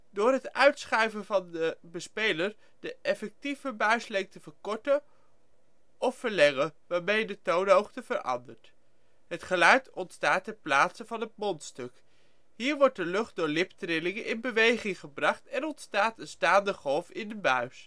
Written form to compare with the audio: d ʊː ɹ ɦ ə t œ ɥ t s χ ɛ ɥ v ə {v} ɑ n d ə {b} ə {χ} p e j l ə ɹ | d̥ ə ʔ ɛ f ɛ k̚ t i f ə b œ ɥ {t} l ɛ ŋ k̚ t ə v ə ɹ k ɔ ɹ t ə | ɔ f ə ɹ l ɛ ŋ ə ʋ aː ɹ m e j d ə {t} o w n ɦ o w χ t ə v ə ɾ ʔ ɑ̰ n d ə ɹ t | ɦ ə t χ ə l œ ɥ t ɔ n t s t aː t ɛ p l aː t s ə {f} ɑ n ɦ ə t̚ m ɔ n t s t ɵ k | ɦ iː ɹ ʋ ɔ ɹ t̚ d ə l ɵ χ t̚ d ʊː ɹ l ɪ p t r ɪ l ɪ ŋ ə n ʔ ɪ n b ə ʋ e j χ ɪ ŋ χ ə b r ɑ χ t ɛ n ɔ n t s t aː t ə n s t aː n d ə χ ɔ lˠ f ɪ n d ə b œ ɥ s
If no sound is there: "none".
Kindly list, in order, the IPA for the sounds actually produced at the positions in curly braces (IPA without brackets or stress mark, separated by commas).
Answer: v, b, s, s, t, v